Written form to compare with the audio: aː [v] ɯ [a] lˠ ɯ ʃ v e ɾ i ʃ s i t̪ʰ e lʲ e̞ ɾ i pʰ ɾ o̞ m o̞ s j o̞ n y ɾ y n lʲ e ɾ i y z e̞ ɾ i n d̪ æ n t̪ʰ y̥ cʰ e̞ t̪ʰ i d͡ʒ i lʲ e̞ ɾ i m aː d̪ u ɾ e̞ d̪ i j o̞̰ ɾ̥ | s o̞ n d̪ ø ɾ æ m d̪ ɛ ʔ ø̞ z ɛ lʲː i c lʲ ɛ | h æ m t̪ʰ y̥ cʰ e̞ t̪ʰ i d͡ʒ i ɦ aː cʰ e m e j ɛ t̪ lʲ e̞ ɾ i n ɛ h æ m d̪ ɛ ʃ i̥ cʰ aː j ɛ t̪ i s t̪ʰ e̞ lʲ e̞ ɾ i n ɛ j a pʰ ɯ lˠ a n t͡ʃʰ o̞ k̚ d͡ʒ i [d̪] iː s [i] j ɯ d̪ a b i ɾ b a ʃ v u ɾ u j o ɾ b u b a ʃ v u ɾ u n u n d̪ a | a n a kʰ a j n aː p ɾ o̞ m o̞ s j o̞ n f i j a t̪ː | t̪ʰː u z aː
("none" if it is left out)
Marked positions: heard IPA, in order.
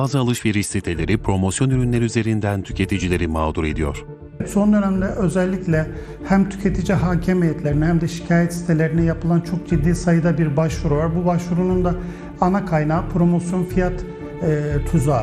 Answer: z, a, d̪ː, a

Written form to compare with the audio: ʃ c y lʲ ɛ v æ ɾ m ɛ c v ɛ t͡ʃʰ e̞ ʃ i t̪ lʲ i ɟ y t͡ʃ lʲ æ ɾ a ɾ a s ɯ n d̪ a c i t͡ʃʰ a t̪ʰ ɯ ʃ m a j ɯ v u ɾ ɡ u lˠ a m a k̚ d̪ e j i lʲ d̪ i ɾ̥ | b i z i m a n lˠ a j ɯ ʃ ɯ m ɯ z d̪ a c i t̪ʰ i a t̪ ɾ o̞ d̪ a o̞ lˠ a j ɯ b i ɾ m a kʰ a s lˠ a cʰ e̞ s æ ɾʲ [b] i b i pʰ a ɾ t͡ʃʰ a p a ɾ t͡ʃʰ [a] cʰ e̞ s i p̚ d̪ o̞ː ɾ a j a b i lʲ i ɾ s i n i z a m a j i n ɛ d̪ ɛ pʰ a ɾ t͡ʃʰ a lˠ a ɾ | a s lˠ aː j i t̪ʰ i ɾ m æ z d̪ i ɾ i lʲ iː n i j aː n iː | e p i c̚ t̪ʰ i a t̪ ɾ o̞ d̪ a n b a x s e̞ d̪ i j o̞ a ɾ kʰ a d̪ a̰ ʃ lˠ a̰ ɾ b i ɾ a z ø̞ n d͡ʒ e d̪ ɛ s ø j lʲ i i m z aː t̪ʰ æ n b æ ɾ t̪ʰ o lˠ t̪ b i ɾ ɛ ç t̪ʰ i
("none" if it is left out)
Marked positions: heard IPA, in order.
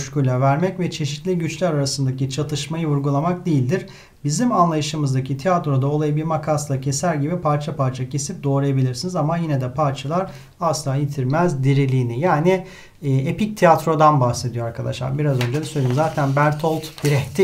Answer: ɟ, a

